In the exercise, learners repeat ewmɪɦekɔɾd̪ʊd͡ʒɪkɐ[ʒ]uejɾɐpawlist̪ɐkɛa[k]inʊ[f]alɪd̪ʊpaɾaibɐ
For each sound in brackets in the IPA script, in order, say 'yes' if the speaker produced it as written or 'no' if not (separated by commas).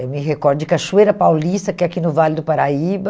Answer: no, yes, no